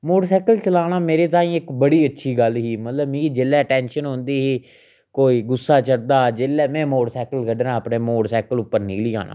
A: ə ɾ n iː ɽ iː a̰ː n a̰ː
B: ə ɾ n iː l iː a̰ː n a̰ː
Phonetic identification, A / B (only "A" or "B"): B